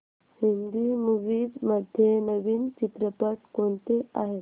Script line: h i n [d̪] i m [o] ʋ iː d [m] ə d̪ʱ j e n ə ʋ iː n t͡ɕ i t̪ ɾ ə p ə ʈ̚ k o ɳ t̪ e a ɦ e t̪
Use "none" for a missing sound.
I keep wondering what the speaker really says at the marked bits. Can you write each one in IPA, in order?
d̪, u, m

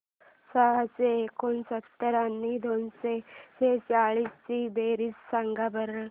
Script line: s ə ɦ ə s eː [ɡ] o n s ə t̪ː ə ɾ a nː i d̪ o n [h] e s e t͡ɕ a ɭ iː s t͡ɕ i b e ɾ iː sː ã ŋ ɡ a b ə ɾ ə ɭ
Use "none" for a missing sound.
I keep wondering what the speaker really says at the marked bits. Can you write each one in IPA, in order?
k, s

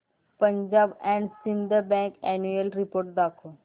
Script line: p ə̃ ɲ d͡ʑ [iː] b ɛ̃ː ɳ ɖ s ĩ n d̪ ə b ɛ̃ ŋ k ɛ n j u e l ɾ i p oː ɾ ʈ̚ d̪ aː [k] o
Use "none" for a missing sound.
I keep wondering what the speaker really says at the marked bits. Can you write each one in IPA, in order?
aː, kʰ

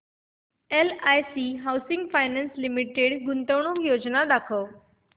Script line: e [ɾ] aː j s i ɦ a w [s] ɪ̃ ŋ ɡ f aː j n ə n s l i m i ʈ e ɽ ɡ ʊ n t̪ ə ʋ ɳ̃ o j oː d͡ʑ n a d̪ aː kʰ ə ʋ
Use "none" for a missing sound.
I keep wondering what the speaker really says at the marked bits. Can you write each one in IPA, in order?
l, s

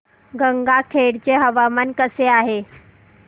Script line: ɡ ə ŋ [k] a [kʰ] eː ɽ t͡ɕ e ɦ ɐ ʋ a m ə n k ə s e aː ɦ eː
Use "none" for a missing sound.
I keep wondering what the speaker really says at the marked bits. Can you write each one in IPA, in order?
ɡ, kʰ

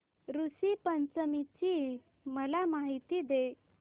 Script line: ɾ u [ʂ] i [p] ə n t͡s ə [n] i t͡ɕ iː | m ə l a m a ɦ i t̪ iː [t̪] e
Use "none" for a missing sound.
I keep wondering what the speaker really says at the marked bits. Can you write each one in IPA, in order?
s, p, m, d̪

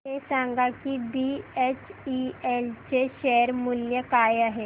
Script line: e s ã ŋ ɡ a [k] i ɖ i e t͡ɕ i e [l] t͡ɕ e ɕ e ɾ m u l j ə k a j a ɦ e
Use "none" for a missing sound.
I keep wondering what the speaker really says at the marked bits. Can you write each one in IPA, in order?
k, l

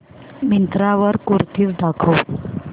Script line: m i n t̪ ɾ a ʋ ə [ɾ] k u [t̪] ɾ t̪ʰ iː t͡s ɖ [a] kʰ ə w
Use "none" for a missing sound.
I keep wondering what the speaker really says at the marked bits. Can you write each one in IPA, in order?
ɾ, none, a

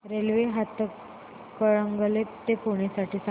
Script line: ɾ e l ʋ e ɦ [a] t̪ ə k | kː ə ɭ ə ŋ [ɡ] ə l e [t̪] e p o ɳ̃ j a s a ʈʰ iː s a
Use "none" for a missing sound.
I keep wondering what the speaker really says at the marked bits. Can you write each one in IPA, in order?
a, ɡ, t̪

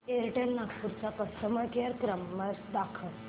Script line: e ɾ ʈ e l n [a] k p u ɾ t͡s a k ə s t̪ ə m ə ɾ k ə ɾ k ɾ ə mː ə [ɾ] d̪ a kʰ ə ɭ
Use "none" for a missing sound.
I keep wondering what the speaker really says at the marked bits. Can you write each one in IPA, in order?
a, ɾ

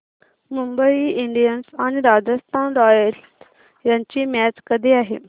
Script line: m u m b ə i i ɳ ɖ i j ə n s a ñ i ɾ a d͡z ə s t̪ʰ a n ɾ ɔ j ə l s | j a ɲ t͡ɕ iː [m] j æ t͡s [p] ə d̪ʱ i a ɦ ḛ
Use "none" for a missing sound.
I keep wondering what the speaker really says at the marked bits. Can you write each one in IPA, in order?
m, k

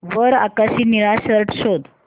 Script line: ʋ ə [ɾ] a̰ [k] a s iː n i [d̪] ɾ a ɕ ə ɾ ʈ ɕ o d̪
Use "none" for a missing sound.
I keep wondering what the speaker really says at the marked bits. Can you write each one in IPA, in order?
ɾ, k, none

